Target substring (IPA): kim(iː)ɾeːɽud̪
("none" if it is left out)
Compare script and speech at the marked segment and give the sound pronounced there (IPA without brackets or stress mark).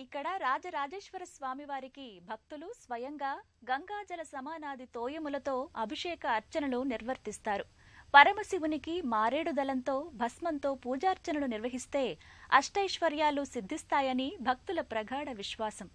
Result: aː